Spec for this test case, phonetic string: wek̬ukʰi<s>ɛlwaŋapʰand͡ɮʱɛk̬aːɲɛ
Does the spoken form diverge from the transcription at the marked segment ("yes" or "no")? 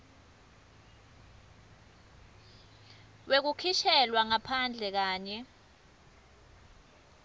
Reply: yes